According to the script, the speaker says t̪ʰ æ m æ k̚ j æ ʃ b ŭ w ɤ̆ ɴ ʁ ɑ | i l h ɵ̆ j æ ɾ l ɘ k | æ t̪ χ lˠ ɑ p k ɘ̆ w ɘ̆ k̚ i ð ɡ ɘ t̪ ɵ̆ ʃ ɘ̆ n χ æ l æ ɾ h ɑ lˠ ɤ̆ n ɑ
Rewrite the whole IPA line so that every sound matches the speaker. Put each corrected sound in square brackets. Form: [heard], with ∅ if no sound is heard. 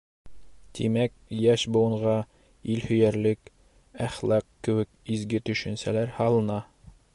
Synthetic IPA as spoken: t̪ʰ [i] m æ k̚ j æ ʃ b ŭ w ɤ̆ ɴ ʁ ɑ | i l h ɵ̆ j æ ɾ l ɘ k | æ [∅] χ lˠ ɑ [q] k ɘ̆ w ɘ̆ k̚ i [z] ɡ ɘ t̪ ɵ̆ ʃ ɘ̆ n [s] æ l æ ɾ h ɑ lˠ ɤ̆ n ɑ

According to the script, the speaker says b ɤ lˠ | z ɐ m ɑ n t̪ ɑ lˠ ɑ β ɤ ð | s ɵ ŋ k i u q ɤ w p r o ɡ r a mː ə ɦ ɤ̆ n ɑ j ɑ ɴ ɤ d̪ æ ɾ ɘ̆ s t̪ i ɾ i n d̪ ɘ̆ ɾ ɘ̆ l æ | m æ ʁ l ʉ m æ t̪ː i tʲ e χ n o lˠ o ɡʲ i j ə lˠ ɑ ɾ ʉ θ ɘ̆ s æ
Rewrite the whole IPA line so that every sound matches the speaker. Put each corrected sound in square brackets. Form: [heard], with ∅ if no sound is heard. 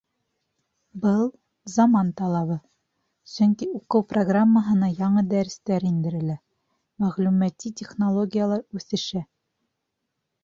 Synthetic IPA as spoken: b ɤ lˠ | z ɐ m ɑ n t̪ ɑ lˠ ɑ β ɤ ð | s ɵ ŋ k i u q ɤ w p r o ɡ r a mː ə ɦ ɤ̆ n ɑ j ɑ ɴ ɤ d̪ æ ɾ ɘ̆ s t̪ [æ] ɾ i n d̪ ɘ̆ ɾ ɘ̆ l æ | m æ ʁ l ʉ m æ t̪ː i tʲ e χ n o lˠ o ɡʲ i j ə lˠ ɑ ɾ ʉ θ ɘ̆ [ʃ] æ

